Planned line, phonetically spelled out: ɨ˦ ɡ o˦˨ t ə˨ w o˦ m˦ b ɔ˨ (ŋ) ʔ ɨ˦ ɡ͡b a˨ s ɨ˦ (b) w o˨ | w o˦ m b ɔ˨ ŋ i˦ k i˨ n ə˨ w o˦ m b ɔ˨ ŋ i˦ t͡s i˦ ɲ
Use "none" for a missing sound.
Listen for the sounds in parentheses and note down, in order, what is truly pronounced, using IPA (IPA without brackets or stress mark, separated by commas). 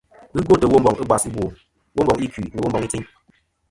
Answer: ŋ, b